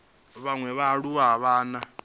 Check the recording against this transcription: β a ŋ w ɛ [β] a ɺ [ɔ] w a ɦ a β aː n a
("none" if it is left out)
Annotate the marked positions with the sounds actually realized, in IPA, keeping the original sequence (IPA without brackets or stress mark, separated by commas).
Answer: β, u